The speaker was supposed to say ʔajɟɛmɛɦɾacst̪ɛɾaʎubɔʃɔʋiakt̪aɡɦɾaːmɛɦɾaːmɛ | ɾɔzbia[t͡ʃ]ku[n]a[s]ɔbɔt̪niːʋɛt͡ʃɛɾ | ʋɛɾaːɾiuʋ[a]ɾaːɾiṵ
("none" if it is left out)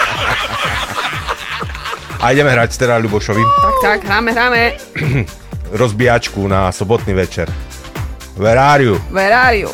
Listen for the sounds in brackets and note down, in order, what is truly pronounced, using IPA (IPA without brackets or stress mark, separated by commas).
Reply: t͡ʃ, n, s, ɛ